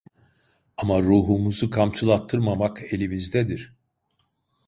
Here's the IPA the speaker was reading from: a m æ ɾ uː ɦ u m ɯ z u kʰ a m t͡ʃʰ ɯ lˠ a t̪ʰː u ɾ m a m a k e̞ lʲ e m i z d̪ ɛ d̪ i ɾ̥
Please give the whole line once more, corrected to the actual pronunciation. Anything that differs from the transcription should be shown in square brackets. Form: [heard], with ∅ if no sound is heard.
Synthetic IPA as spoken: a m [a] ɾ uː ɦ u m [u] z u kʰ a m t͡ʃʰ ɯ lˠ a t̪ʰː [ɯ] ɾ m a m a k e̞ lʲ [i] m i z d̪ ɛ d̪ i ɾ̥